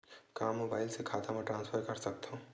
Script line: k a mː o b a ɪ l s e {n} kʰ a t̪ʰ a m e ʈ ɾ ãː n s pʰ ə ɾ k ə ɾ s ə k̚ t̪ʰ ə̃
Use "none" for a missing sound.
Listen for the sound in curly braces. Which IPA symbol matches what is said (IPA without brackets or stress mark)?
none